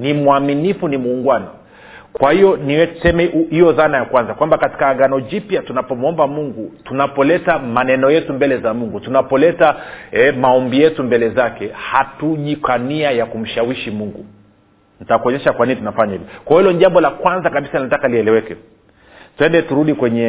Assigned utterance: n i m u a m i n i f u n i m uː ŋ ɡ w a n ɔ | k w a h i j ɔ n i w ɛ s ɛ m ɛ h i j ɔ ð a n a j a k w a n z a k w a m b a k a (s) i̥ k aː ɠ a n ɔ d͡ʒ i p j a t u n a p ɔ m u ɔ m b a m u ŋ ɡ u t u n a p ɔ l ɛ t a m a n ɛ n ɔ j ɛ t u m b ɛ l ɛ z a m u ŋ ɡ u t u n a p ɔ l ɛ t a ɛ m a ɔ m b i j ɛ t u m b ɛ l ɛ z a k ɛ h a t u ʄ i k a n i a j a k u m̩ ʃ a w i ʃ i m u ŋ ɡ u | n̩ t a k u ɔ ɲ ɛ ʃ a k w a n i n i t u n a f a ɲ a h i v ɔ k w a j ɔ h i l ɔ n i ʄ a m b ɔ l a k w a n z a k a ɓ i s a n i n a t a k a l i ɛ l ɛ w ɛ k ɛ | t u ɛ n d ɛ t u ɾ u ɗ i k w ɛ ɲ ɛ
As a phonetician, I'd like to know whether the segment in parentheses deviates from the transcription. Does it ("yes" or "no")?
yes